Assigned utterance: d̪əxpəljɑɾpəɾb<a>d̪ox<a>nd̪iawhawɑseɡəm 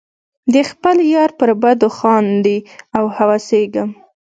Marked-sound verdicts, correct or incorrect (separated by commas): correct, incorrect